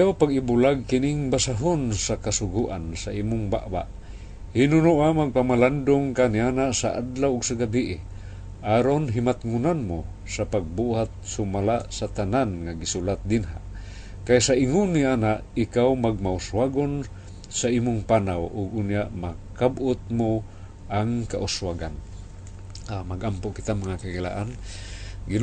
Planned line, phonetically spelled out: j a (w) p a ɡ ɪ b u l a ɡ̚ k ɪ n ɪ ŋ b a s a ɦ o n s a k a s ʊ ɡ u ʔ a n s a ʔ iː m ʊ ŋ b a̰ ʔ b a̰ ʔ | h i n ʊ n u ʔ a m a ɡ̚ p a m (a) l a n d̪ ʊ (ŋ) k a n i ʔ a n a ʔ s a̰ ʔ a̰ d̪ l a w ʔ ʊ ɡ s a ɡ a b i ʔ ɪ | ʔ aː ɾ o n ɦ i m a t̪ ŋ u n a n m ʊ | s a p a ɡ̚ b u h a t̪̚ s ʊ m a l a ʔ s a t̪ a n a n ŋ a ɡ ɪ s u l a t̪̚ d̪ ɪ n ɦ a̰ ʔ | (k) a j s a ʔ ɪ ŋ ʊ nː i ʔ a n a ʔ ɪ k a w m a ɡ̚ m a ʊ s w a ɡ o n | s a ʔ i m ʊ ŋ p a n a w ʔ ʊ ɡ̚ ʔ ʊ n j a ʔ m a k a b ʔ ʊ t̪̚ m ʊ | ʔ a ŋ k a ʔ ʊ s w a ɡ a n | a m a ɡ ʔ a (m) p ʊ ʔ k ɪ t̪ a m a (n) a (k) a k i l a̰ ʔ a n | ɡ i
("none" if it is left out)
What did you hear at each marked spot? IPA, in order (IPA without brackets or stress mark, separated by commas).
w, a, ŋ, k, m, ŋ, k